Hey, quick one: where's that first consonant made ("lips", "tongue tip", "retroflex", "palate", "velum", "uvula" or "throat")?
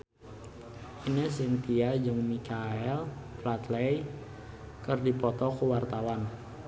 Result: tongue tip